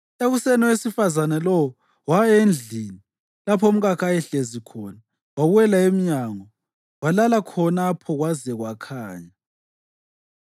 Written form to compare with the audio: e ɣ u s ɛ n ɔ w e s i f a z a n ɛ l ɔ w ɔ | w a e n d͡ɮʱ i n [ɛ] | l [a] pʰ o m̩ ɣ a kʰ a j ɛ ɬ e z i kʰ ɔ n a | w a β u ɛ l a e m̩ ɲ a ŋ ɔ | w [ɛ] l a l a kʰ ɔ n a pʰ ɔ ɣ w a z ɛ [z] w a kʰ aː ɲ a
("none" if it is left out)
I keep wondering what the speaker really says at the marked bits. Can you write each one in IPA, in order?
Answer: i, a, a, ɣ

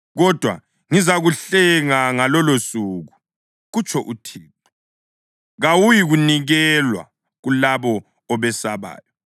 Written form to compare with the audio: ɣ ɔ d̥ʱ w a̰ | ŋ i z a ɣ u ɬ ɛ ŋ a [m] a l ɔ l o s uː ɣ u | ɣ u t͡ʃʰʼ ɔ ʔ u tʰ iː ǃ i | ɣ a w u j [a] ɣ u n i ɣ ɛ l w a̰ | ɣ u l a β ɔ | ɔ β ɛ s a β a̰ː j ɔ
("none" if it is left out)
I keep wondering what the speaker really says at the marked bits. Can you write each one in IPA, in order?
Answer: ŋ, i

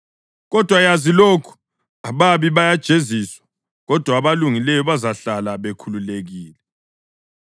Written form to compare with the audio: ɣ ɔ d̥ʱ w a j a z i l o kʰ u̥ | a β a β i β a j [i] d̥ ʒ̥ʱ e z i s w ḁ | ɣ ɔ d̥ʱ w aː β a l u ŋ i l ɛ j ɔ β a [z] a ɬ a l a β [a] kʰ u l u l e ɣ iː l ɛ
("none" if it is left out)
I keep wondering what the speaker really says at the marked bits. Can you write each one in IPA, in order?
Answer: a, z, e

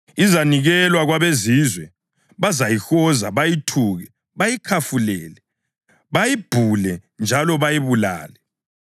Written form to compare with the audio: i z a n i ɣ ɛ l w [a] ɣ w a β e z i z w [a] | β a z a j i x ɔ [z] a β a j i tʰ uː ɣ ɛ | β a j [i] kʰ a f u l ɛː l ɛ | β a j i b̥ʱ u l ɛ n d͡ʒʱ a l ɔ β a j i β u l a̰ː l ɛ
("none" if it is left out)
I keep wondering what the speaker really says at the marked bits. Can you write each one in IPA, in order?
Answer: a, ɛ, z, i

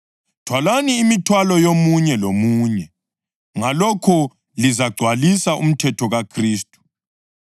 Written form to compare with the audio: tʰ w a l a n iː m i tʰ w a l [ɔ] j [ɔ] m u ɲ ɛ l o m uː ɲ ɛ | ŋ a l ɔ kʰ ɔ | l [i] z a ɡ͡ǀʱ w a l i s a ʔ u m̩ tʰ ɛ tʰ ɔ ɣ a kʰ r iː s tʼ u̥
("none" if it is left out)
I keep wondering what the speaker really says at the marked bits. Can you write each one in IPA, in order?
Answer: ɔ, o, i

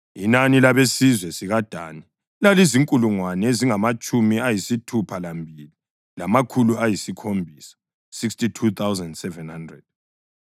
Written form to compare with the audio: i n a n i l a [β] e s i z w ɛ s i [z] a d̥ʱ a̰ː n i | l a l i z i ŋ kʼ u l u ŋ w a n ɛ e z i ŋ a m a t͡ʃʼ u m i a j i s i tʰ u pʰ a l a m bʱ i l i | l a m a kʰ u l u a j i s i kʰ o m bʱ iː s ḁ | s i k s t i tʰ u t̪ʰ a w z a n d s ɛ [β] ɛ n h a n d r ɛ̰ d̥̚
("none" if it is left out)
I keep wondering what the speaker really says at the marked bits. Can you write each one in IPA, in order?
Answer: β, ɣ, v

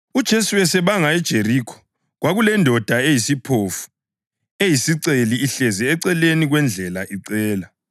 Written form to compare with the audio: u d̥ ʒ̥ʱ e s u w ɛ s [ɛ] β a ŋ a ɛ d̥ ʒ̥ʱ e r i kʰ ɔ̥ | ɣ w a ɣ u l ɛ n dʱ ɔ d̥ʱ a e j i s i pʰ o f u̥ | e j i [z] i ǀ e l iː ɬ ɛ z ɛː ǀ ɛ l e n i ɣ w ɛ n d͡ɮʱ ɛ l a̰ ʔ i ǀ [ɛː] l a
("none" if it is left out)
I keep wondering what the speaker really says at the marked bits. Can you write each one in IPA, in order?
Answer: ɛ, s, ɛː

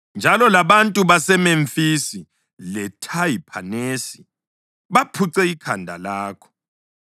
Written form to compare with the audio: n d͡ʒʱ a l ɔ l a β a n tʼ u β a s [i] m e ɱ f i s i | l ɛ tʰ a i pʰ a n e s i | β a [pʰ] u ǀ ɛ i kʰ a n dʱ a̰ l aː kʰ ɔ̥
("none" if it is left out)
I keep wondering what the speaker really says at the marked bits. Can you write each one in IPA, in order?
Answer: ɛ, pʰ

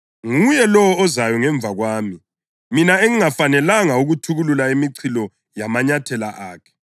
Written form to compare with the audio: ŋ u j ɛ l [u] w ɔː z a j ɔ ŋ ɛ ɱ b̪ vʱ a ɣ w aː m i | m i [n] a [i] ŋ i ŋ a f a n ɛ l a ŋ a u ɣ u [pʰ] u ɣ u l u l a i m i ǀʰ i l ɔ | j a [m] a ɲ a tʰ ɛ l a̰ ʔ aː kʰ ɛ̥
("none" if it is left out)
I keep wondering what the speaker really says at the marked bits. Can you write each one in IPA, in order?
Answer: ɔ, n, e, tʰ, m

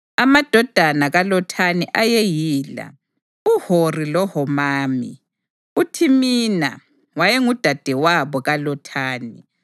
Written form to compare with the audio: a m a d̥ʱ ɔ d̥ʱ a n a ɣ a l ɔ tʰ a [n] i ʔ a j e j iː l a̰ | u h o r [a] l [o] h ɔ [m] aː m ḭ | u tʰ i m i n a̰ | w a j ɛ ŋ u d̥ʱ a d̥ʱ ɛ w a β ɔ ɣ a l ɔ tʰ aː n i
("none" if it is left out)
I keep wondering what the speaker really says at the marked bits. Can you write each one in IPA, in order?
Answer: n, i, ɔ, m

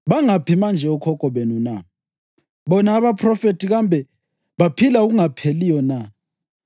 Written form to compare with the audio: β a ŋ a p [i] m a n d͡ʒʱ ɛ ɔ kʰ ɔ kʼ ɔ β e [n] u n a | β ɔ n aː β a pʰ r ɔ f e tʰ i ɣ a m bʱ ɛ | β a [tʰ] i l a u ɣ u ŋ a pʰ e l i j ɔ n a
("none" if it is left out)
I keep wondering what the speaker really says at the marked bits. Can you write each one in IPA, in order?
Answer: i, n, pʰ

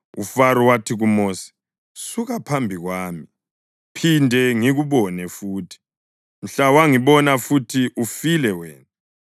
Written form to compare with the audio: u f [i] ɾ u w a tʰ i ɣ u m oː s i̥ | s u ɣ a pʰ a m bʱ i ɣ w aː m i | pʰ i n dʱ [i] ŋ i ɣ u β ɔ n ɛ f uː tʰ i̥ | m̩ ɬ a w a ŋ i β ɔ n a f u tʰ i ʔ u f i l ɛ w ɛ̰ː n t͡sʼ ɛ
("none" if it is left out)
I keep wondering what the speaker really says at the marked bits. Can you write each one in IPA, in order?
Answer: a, ɛ

